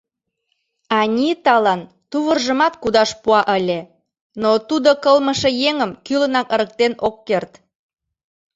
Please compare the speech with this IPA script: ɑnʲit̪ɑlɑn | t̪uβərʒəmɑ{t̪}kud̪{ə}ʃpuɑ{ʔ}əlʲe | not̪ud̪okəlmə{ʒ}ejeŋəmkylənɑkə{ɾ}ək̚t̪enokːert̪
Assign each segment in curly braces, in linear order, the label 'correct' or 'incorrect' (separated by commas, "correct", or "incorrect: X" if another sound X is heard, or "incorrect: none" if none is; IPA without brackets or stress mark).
correct, incorrect: ɑ, correct, incorrect: ʃ, correct